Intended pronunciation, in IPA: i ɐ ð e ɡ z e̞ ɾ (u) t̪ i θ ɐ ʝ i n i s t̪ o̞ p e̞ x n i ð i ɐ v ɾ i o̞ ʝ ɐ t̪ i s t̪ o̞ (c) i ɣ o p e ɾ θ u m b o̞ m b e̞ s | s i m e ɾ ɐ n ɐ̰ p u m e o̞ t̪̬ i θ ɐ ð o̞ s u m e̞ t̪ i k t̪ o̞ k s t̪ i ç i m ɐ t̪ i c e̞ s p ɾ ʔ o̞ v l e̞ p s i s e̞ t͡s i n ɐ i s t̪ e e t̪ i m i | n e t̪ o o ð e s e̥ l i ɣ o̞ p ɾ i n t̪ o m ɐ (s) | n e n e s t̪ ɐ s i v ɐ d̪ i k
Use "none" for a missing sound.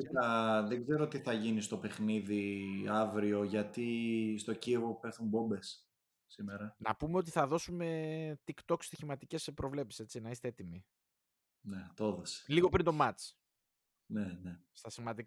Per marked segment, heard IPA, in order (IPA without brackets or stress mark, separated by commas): o, c, t͡s